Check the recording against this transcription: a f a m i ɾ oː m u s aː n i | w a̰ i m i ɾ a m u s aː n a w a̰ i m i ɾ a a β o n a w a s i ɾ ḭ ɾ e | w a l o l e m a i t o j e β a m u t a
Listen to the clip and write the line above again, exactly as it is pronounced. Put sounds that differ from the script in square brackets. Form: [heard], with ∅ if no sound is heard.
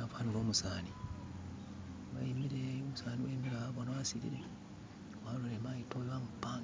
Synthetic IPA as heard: a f a [n] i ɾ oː m u s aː n i | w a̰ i m i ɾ [e] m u s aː n [i] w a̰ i m i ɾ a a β o n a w a s i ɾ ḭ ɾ e | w a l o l e m a i t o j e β a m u [p] a